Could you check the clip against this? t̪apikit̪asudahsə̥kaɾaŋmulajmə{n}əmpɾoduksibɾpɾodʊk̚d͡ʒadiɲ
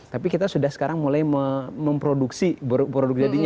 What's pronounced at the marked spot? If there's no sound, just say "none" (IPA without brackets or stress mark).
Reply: m